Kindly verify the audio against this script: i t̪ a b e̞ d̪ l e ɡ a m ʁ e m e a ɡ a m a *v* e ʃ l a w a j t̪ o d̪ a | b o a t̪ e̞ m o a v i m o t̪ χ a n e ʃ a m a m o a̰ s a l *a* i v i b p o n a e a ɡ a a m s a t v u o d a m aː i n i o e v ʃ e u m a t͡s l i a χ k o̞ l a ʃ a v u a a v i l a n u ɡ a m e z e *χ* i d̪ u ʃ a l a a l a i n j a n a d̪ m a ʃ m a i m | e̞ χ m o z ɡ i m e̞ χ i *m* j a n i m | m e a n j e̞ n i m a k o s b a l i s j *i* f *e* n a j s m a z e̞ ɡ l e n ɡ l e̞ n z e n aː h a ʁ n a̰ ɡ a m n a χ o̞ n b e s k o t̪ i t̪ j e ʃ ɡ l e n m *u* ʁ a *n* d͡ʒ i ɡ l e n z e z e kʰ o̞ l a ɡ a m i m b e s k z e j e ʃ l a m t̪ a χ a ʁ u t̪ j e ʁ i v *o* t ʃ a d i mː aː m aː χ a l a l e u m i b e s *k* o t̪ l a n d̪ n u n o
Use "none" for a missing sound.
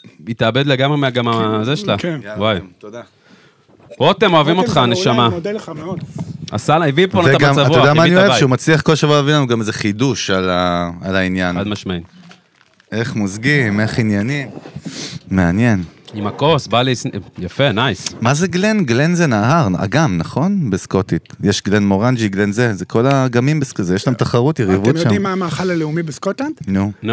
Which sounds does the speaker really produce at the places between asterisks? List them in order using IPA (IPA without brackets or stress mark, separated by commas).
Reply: z, a, χ, n, a, e, o, n, u, k